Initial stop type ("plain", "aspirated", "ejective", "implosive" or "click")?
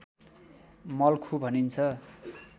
aspirated